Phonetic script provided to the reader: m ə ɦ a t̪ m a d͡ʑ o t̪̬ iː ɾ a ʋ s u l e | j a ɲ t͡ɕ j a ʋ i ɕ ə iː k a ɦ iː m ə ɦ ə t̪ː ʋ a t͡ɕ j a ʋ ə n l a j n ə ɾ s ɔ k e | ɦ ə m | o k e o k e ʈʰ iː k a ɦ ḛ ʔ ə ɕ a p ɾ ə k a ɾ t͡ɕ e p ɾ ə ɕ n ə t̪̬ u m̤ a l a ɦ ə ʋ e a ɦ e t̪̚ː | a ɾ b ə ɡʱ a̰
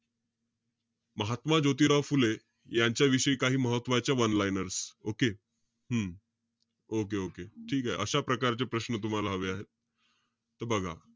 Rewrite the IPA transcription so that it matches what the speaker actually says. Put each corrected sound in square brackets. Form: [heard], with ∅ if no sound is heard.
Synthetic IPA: m ə ɦ a t̪ m a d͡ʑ o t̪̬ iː ɾ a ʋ [f] u l e | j a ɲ t͡ɕ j a ʋ i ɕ ə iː k a ɦ iː m ə ɦ ə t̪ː ʋ a t͡ɕ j a ʋ ə n l a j n ə ɾ s [o] k e | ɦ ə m | o k e o k e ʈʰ iː k a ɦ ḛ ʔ ə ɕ a p ɾ ə k a ɾ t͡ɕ e p ɾ ə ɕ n ə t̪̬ u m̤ a l a ɦ ə ʋ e a ɦ e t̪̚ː | [ə] ɾ b ə ɡʱ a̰